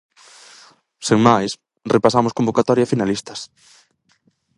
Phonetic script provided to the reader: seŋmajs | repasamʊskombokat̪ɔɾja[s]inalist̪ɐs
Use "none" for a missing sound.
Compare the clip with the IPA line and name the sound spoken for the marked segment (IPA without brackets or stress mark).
f